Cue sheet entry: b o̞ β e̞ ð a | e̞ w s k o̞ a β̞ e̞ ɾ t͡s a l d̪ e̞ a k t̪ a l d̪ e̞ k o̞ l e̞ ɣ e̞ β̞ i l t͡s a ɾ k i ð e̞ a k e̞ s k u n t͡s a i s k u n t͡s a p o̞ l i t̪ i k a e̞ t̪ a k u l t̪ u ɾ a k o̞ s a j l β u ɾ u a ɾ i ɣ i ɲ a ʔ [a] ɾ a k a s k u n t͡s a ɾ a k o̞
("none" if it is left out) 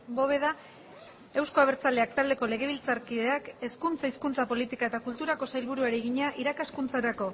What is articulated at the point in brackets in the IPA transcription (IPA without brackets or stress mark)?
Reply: i